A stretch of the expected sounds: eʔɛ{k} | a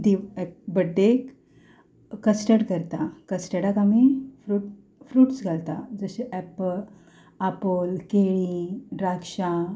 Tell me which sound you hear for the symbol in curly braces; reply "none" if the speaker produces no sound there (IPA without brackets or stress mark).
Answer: p